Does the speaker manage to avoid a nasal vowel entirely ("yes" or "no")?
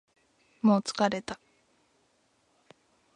yes